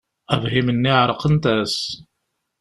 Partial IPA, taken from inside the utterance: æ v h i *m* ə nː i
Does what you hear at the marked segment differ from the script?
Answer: no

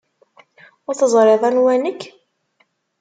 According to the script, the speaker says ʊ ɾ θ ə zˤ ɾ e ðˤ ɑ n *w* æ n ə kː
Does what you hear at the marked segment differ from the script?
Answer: no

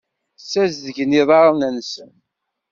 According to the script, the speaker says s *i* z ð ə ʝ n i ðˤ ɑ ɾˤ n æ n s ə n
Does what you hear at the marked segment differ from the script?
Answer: yes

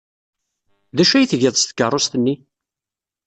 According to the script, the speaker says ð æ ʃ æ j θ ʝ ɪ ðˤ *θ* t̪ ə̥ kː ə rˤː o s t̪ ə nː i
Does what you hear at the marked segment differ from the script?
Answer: yes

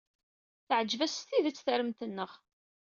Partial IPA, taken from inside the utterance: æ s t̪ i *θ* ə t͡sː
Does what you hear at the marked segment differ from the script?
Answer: yes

